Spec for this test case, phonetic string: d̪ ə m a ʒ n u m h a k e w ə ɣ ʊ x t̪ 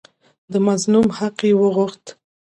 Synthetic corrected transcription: d̪ ə m a z n u m h a q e w ə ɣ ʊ x t̪